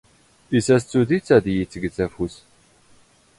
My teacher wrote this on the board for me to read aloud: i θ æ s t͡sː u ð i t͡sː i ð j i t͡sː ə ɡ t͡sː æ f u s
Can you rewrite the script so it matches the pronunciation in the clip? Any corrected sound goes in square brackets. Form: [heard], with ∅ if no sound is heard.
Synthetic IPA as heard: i [s] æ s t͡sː u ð i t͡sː [æ] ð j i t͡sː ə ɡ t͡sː æ f u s